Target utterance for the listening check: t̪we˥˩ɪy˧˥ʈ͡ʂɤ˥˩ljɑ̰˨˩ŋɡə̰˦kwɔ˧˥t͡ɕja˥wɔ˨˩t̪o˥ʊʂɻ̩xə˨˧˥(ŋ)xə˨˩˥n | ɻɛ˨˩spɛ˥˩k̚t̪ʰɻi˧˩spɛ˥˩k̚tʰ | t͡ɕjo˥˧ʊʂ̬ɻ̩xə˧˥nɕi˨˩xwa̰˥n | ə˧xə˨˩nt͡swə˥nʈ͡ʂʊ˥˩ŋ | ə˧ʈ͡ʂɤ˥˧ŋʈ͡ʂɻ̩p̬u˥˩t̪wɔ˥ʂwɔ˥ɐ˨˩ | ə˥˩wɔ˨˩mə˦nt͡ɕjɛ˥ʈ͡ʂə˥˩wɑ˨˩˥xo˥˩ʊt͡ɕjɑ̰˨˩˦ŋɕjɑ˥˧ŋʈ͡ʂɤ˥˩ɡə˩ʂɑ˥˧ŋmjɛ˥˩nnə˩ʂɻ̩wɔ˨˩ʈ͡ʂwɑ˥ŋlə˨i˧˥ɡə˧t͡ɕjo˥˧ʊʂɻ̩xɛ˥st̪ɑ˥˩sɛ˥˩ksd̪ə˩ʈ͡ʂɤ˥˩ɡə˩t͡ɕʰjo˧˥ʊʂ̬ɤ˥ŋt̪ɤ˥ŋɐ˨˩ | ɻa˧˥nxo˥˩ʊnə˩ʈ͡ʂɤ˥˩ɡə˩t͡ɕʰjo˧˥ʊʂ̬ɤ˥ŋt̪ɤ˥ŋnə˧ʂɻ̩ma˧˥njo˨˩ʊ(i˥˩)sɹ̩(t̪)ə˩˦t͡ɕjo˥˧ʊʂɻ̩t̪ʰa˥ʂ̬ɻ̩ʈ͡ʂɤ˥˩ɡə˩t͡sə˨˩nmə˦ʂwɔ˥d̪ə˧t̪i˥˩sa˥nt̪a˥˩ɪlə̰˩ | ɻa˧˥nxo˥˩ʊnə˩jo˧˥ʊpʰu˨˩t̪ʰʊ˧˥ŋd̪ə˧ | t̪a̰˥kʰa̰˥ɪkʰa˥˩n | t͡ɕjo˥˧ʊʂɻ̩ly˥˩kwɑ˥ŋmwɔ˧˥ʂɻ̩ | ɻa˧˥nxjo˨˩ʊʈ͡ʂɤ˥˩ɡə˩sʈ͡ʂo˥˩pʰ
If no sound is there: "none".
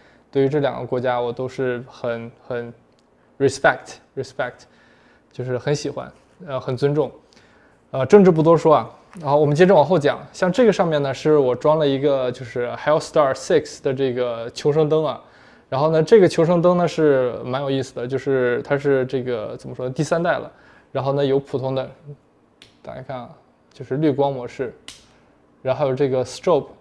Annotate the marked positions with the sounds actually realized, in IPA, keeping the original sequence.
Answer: n, i˥˩, d̪

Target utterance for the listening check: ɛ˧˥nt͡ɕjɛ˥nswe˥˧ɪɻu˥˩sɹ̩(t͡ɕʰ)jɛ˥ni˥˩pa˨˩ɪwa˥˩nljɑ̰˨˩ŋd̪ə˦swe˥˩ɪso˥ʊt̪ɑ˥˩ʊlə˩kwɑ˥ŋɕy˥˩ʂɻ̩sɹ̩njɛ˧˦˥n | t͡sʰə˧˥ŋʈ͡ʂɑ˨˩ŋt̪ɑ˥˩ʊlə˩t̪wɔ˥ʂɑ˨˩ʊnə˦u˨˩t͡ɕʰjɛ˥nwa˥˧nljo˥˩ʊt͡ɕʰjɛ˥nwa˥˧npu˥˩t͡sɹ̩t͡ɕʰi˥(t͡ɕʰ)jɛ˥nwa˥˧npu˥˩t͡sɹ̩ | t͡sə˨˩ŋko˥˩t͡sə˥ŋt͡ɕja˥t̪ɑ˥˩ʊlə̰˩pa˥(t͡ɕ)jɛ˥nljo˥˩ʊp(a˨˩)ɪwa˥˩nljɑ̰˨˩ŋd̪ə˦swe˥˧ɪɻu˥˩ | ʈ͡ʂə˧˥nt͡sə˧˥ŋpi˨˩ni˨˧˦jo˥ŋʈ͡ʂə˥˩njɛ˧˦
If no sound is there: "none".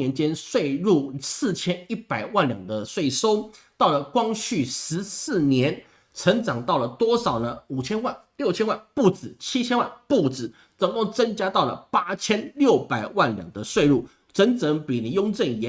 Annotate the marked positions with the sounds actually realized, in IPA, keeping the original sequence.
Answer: t͡ɕʰ, t͡ɕʰ, t͡ɕʰ, a˨˩

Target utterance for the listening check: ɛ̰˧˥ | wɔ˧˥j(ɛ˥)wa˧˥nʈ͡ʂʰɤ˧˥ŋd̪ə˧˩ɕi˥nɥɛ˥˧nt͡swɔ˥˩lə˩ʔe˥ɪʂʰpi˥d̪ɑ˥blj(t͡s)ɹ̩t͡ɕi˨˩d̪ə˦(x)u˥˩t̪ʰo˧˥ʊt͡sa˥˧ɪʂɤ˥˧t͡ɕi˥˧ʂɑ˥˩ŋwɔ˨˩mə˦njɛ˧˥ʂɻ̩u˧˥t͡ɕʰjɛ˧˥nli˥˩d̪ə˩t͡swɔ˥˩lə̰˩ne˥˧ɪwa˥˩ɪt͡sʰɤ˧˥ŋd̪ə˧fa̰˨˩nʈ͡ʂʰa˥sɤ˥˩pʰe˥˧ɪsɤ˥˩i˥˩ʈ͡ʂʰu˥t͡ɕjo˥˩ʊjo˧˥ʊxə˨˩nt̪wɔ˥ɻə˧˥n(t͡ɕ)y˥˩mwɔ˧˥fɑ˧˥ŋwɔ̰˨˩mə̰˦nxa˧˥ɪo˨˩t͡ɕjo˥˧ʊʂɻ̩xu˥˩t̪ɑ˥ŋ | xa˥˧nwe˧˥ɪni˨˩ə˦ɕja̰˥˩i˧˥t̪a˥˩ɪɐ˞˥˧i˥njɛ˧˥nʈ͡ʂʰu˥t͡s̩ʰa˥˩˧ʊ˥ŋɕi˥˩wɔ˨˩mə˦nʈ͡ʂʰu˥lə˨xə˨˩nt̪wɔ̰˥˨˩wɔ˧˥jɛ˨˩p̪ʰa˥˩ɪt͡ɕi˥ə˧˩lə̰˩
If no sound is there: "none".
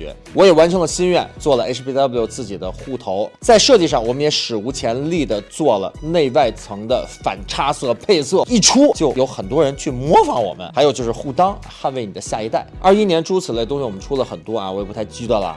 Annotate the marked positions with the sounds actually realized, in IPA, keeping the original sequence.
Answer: ɛ˨˩, t͡s, x, t͡ɕʰ

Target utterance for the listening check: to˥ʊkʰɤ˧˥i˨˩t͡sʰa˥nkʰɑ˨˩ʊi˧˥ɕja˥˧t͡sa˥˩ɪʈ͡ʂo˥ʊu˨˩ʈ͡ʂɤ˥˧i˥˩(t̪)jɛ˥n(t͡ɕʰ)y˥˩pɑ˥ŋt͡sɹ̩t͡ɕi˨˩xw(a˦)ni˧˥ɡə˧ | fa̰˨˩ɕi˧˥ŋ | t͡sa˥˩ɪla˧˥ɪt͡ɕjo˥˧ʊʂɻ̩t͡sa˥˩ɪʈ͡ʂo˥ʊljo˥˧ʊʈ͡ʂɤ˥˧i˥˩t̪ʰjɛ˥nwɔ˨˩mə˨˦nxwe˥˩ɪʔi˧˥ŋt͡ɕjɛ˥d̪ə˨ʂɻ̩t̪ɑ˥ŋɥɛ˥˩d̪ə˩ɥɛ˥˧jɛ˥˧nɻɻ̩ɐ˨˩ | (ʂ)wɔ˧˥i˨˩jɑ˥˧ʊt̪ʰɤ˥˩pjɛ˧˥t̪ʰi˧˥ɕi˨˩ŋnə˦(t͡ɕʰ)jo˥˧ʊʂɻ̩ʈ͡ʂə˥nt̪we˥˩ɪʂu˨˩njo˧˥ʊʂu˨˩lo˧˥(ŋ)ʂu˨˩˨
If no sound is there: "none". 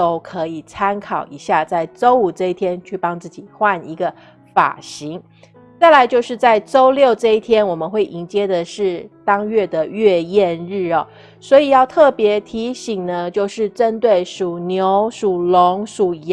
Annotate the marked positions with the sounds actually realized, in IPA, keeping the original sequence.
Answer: t̪ʰ, t͡ɕʰ, a˥˩, s, t͡ɕ, ŋ

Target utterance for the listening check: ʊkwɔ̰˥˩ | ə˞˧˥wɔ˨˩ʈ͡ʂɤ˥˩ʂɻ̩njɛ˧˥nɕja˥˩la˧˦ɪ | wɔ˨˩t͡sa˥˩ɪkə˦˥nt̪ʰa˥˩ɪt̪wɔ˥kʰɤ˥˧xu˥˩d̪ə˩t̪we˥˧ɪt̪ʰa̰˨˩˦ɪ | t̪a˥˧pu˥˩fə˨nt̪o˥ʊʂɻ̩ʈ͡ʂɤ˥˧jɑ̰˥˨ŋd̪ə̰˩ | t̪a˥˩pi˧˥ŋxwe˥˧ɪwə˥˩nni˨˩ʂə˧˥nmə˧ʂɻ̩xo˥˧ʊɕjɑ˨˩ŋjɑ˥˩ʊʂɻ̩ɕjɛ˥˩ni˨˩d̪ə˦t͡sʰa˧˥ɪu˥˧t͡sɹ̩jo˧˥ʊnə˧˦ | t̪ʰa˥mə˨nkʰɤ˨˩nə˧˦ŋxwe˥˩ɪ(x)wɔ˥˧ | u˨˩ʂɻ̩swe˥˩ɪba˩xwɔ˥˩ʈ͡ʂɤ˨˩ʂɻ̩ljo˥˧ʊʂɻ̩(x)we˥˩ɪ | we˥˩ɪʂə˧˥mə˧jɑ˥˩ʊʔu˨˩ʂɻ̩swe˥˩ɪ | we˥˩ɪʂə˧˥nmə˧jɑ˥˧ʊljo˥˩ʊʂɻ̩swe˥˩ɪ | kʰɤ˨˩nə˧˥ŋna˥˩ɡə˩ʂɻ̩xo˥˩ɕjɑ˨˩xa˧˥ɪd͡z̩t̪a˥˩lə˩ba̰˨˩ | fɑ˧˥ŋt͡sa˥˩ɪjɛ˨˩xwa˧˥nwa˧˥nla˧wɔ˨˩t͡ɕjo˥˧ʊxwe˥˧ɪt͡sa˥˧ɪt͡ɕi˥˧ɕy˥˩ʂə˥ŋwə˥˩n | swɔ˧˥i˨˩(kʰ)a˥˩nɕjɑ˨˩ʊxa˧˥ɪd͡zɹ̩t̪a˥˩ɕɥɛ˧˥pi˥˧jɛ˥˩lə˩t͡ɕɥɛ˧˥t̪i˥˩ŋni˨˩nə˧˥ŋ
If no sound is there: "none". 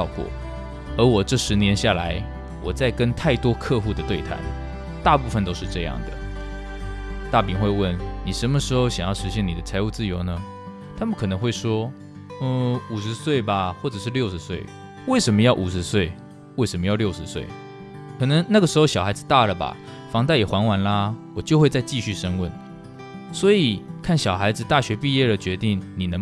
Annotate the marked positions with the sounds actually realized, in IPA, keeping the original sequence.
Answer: ʂ, s, kʰ

